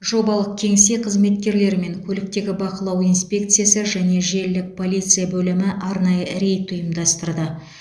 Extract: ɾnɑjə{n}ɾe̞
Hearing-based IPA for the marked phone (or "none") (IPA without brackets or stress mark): none